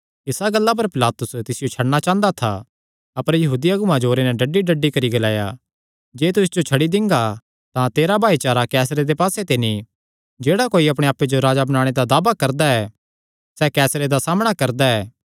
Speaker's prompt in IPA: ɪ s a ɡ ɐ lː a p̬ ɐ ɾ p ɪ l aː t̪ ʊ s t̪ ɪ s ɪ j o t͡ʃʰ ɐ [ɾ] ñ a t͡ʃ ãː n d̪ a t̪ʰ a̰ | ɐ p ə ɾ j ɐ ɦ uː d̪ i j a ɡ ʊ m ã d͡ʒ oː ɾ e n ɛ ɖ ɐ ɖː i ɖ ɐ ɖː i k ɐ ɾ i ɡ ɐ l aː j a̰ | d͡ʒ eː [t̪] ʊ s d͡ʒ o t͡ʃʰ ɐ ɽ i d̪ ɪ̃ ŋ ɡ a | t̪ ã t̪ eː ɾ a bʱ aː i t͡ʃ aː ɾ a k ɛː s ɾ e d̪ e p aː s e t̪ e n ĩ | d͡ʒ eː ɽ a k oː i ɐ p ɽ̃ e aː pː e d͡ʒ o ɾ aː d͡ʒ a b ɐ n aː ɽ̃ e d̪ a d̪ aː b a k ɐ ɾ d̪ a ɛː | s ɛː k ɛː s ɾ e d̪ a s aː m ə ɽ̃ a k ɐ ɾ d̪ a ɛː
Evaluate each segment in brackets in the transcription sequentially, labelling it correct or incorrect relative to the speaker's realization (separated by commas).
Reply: incorrect, correct